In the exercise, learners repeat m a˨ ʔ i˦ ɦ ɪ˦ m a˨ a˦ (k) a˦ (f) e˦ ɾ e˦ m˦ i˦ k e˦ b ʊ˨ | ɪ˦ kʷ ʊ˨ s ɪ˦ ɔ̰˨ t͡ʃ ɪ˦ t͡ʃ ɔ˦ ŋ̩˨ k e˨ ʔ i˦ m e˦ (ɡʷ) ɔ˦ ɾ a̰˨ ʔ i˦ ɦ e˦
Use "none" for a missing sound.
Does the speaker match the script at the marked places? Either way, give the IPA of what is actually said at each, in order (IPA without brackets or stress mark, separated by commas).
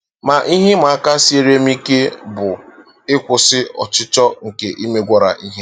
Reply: k, s, ɡʷ